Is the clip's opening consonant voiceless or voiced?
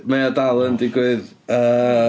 voiced